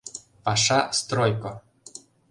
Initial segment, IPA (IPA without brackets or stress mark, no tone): p